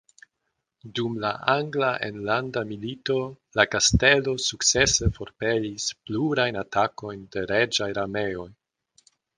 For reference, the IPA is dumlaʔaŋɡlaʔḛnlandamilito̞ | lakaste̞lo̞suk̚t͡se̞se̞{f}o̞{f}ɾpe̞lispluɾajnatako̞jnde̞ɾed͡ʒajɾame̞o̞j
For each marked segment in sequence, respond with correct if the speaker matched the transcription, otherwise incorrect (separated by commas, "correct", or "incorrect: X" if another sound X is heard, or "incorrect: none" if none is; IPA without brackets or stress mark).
correct, incorrect: none